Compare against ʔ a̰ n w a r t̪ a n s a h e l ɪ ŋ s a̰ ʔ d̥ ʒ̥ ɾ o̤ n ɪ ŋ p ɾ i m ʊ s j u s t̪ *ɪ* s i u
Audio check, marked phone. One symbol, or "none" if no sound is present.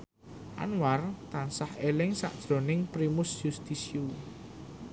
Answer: i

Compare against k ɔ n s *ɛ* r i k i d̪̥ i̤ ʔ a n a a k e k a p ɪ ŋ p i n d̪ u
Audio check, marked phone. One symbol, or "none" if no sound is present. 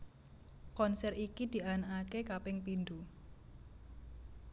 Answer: ɛ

